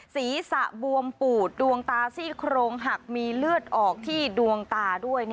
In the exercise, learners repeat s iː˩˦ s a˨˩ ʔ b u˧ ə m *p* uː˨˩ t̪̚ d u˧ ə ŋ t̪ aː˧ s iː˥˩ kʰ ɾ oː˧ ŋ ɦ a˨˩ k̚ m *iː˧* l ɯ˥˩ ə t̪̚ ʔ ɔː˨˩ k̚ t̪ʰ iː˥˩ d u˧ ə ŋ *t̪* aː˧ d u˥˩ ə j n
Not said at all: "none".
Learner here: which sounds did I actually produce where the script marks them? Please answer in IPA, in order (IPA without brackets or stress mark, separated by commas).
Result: p, iː˧, t̪